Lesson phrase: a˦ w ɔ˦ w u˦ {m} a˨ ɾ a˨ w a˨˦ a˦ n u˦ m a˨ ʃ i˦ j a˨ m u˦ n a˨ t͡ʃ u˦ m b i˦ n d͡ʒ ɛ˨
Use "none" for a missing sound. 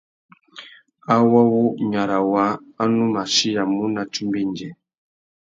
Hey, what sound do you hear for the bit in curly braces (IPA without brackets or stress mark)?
ɲ